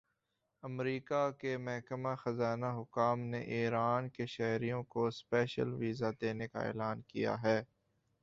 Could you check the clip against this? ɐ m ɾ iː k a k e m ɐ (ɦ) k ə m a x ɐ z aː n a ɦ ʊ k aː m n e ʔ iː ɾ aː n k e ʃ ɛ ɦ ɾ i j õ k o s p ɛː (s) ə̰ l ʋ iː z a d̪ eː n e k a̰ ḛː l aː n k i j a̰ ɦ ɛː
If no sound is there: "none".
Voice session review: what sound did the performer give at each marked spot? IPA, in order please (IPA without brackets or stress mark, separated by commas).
ɦ, ʃ